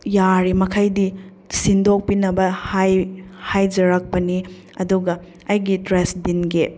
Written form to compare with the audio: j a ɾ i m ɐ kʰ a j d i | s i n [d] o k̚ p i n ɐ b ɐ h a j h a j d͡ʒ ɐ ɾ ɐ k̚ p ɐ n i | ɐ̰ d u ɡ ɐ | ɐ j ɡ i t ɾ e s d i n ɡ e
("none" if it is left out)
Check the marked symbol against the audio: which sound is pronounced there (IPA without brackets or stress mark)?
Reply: d